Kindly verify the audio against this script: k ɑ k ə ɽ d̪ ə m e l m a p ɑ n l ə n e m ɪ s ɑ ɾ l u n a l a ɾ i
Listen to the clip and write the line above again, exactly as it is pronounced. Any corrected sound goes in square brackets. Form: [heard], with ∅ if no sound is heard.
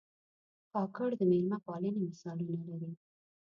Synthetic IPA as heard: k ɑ k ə ɽ d̪ ə m e l m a p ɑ [∅] l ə n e m ɪ s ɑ [∅] l u n a l a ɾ i